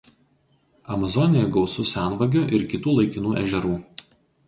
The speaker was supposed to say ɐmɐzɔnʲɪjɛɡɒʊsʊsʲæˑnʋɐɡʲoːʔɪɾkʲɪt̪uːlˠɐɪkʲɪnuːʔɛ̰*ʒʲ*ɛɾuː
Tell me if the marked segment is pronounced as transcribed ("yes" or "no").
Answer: yes